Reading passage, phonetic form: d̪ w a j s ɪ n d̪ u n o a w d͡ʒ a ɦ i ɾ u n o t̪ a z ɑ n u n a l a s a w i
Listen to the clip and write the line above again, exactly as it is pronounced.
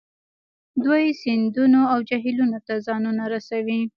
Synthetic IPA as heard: d̪ w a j s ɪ n d̪ u n o a w d͡ʒ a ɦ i l u n o t̪ a z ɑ n u n a ɾ a s a w i

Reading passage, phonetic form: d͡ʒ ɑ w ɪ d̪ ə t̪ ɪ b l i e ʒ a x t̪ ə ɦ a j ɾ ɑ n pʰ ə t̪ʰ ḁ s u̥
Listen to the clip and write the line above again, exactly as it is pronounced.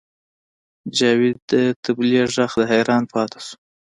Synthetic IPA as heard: d͡ʒ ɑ w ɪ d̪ ə t̪ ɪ b l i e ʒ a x d̪ ə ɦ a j ɾ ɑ n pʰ ɑ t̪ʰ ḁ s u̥

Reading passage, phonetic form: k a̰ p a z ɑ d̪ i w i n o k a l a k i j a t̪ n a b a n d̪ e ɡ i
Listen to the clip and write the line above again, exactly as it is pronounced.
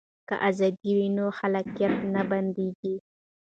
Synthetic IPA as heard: k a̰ ʔ a z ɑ d̪ i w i n o x a l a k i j a t̪ n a b a n d̪ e ɡ i

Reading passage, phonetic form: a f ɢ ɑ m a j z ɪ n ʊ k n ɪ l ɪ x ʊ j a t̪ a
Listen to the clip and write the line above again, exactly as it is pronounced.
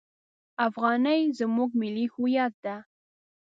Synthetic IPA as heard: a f ɢ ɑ n a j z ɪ m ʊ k m ɪ l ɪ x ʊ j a t̪ a

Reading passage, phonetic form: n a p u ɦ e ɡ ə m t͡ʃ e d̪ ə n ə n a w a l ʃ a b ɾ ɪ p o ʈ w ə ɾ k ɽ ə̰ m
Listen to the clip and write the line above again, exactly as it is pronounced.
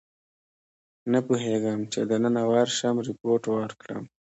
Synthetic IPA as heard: n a p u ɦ e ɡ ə m t͡ʃ e d̪ ə n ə n a w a ɾ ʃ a m ɾ ɪ p o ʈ w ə ɾ k ɽ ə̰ m

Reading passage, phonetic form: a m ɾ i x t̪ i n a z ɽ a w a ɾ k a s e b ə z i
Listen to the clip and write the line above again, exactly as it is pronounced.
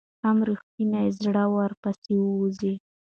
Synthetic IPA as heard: a m ɾ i x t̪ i n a z ɽ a w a ɾ p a s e w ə z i

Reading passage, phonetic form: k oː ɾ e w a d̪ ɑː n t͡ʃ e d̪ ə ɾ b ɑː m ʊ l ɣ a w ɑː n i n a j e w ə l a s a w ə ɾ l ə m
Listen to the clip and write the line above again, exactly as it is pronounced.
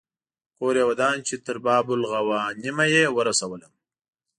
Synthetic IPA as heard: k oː ɾ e w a d̪ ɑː n t͡ʃ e t̪ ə ɾ b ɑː b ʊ l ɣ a w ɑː n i m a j e w ə ɾ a s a w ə l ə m

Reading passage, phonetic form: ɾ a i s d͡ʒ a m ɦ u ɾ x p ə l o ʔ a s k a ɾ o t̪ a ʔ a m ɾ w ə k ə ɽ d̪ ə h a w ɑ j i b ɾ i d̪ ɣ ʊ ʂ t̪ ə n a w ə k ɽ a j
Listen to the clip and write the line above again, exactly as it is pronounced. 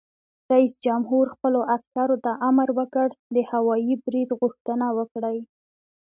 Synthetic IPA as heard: ɾ a i s d͡ʒ a m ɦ u ɾ x p ə l o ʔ a s k a ɾ o t̪ a ʔ a m ɾ w ə k ə ɽ d̪ ə h a w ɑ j i b ɾ i d̪ ɣ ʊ x t̪ ə n a w ə k ɽ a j

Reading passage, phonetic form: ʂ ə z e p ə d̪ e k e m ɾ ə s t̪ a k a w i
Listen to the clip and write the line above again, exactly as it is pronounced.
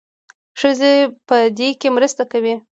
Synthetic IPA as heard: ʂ ə z e p ə d̪ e k e m ɾ ə s t̪ a k a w i

